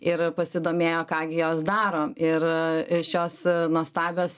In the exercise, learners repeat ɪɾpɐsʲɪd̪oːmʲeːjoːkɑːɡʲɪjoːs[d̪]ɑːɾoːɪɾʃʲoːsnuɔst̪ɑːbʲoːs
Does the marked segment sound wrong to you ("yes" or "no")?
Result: no